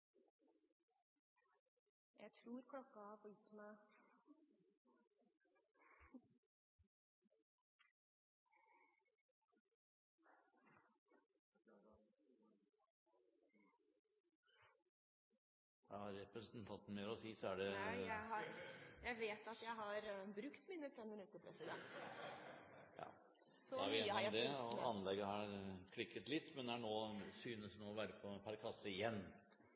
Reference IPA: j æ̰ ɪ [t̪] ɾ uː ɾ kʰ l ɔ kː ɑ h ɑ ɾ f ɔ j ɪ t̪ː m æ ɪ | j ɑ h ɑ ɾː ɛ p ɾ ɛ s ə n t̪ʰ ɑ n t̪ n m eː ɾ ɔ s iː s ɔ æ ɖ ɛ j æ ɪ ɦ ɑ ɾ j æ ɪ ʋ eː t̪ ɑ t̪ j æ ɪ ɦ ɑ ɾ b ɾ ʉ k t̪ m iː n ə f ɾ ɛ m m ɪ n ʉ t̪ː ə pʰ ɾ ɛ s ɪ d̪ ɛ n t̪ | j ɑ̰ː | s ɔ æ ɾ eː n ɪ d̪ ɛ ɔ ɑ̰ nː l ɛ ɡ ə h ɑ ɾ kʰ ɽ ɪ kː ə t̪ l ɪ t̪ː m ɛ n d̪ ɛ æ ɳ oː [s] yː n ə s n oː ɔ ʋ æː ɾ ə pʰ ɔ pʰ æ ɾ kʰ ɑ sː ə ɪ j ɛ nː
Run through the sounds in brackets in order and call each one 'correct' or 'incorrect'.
incorrect, correct

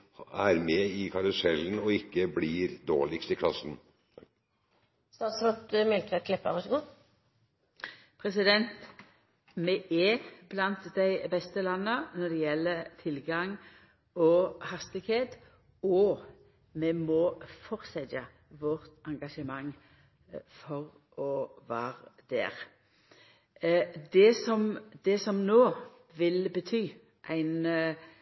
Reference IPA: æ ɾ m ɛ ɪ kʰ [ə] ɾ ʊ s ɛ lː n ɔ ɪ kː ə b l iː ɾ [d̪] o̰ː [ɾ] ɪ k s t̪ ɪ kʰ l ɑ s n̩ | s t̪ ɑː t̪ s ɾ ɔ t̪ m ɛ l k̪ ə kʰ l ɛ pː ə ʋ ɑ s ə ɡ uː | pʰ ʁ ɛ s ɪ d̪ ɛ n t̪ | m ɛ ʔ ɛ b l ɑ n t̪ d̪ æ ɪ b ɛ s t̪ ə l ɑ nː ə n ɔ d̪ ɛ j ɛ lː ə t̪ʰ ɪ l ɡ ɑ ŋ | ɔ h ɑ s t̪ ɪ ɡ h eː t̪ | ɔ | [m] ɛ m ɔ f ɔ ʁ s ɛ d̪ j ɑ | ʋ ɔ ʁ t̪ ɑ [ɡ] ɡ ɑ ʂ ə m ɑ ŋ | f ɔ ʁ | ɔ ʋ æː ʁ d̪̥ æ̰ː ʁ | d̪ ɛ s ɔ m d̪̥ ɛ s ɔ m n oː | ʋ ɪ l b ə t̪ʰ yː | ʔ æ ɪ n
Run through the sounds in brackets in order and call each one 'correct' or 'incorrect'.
incorrect, correct, incorrect, correct, incorrect

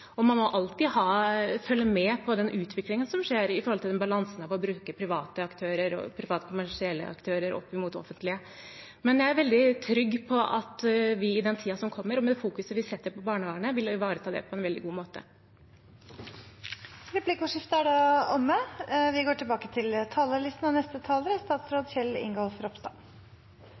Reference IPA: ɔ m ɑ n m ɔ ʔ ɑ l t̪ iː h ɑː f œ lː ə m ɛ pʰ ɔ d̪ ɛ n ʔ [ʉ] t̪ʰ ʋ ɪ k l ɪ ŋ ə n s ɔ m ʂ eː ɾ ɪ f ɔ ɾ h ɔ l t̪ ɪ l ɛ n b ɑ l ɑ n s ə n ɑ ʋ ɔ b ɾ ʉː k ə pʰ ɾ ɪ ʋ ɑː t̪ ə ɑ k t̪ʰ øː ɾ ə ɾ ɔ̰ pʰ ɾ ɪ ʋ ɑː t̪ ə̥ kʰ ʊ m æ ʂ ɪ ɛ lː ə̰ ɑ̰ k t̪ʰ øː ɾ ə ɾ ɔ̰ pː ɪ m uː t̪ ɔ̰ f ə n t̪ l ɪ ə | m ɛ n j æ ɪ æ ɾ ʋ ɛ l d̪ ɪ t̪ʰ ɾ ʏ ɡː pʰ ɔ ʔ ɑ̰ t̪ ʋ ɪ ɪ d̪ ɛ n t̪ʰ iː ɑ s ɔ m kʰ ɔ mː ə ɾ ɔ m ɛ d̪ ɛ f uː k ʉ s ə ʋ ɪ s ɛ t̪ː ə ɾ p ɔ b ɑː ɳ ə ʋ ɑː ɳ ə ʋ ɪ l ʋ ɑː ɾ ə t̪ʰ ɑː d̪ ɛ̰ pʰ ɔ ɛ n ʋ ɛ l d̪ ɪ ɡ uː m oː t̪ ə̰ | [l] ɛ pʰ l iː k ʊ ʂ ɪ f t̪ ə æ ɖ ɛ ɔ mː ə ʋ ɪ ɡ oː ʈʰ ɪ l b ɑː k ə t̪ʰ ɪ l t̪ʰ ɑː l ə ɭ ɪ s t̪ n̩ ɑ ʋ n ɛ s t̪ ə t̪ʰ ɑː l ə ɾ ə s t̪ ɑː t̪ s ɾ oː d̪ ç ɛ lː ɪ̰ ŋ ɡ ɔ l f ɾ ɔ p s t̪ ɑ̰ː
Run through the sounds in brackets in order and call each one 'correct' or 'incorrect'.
incorrect, incorrect

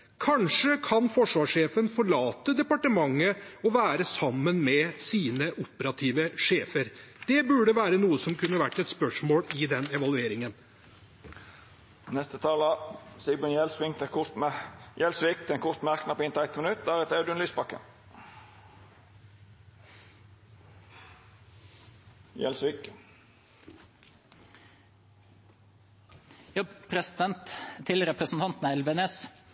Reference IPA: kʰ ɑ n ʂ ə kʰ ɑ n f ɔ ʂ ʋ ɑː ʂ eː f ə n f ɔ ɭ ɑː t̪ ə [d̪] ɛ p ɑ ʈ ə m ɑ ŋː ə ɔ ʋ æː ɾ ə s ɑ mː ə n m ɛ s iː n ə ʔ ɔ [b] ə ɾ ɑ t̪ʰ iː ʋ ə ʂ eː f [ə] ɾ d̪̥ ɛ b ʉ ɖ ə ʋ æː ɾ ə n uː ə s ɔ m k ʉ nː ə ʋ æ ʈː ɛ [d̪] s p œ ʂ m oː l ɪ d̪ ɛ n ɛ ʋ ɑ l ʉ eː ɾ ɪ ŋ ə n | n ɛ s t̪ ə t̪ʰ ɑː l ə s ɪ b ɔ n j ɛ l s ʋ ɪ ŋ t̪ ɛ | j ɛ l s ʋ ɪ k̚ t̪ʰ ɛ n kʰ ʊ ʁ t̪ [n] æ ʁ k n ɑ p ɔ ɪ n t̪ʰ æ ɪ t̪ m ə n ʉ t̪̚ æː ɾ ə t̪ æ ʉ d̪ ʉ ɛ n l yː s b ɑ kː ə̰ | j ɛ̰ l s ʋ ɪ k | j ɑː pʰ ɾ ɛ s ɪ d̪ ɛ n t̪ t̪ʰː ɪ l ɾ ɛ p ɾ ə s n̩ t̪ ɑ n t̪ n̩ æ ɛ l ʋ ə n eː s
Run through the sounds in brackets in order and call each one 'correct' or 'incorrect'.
correct, incorrect, correct, incorrect, incorrect

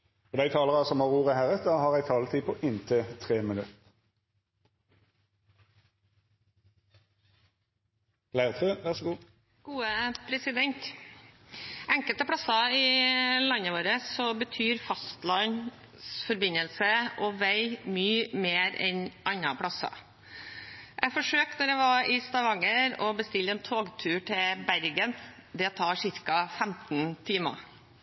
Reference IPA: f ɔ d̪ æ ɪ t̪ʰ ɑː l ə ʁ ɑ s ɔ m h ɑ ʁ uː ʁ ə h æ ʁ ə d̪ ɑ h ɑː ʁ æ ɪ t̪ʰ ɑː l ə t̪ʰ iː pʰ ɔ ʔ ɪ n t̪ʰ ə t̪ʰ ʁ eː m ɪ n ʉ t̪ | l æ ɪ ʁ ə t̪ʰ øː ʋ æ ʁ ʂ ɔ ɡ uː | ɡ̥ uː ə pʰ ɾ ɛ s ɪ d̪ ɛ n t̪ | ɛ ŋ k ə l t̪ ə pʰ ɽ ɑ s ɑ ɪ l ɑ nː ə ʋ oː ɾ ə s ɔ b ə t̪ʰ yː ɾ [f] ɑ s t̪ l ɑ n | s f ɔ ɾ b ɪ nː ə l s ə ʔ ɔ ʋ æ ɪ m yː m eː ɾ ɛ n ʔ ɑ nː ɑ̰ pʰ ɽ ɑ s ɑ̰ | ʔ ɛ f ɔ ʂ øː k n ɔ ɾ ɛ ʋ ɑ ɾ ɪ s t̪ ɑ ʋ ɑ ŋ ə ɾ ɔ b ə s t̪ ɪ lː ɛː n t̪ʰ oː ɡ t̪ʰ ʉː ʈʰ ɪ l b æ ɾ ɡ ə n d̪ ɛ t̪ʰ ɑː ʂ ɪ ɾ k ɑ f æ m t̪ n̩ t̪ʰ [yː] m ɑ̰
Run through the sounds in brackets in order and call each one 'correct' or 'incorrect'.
correct, incorrect

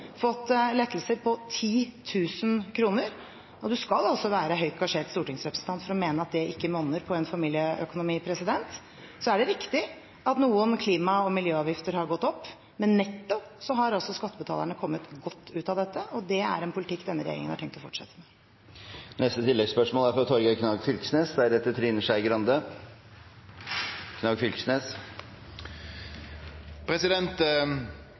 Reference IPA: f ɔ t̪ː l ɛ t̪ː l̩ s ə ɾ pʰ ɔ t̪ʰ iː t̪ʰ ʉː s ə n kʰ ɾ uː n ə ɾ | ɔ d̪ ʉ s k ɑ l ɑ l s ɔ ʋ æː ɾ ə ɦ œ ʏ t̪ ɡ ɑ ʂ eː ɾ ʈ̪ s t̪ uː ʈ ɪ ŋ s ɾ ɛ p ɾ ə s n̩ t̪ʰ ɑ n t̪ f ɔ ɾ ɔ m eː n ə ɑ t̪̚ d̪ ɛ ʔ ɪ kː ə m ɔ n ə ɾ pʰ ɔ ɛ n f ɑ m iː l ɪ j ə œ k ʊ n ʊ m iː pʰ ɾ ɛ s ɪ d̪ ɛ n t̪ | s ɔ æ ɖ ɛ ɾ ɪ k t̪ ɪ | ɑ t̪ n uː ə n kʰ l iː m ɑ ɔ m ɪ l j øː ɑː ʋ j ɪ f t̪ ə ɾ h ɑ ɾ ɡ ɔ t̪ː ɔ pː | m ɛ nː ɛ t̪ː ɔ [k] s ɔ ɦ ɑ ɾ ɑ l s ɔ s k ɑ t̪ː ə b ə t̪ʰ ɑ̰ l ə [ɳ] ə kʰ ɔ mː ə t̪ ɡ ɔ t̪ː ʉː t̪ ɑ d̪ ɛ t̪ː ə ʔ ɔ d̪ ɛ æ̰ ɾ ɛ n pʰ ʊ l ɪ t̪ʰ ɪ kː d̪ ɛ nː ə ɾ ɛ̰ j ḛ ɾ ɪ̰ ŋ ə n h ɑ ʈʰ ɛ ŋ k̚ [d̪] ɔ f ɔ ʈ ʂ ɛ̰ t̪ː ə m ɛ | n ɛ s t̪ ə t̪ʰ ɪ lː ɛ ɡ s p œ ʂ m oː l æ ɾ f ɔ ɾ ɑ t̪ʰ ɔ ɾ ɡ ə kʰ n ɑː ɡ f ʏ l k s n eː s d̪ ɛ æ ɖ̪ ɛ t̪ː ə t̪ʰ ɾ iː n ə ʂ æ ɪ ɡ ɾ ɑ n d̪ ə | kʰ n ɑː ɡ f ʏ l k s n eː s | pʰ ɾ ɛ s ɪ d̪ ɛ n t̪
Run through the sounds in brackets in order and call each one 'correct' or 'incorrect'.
incorrect, correct, incorrect

